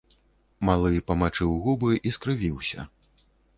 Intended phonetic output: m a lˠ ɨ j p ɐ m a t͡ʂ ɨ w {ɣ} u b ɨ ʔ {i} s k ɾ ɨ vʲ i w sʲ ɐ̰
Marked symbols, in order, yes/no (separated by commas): yes, yes